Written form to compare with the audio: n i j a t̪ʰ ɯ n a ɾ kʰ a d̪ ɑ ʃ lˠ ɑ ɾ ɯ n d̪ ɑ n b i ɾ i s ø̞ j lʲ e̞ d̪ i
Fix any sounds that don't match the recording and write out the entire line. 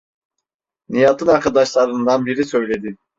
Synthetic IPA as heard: n i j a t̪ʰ ɯ n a ɾ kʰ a d̪ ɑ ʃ lˠ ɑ ɾ ɯ n d̪ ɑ n b i ɾ i s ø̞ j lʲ e̞ d̪ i